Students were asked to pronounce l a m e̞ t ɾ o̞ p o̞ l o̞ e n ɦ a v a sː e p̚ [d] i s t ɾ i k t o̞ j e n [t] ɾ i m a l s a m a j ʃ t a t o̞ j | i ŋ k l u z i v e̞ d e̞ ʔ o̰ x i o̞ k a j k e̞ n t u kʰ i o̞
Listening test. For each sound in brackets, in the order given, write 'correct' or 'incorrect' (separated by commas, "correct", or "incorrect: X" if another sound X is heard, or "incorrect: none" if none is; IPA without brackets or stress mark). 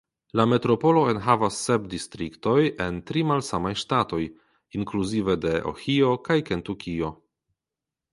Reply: correct, correct